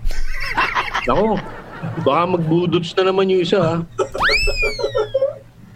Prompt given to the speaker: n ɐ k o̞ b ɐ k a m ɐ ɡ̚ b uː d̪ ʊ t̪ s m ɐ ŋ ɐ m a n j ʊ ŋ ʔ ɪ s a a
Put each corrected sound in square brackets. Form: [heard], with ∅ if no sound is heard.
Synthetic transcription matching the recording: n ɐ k o̞ b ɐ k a m ɐ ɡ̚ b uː d̪ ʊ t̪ s [n] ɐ [n] ɐ m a n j ʊ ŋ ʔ ɪ s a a